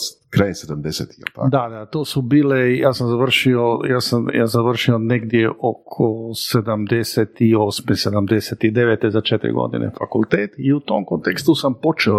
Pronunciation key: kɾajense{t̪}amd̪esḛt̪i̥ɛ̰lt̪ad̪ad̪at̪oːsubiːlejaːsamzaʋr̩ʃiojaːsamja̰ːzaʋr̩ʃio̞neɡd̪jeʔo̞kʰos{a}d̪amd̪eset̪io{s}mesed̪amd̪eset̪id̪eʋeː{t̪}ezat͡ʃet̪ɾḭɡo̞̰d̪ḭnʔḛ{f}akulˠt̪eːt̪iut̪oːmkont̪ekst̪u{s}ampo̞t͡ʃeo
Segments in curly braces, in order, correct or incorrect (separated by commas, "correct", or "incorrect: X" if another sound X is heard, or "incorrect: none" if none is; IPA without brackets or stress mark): incorrect: d̪, incorrect: e, correct, correct, correct, correct